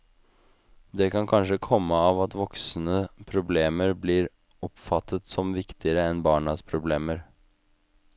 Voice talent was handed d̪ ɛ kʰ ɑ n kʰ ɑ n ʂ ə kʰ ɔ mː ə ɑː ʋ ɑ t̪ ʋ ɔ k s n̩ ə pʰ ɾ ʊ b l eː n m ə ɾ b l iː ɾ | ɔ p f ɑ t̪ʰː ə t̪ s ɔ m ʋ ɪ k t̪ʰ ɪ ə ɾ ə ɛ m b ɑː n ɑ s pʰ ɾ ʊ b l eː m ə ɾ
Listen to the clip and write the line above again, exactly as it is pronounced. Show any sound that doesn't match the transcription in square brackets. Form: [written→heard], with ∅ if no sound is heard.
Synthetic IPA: d̪ ɛ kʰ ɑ n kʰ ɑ n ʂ ə kʰ ɔ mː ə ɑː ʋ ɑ t̪ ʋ ɔ k s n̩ ə pʰ ɾ ʊ b l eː [n→∅] m ə ɾ b l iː ɾ | ɔ p f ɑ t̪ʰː ə t̪ s ɔ m ʋ ɪ k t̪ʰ ɪ ə ɾ ə ɛ [m→n] b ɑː [n→ɳ] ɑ s pʰ ɾ ʊ b l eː m ə ɾ